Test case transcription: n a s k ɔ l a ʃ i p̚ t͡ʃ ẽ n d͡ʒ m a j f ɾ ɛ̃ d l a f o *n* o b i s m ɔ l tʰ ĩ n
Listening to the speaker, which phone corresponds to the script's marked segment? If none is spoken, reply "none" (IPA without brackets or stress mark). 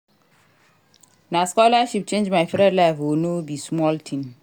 n